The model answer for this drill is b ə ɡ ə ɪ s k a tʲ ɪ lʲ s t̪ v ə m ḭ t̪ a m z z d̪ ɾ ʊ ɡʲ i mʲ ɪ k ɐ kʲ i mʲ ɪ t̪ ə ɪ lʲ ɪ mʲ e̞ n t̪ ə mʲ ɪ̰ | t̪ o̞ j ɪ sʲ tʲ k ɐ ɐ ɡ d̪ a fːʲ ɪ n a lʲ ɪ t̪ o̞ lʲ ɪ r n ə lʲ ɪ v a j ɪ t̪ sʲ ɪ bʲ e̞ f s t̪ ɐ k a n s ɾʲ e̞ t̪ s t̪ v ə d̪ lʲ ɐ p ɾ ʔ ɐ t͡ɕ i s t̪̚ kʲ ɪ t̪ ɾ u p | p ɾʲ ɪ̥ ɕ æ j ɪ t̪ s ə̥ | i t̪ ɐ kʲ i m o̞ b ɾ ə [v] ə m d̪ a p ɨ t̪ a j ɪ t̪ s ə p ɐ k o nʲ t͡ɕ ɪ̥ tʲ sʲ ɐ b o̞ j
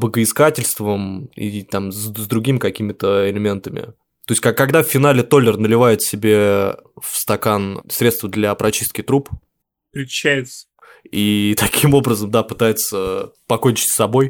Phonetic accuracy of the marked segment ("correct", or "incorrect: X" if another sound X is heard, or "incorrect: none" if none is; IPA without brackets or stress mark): incorrect: z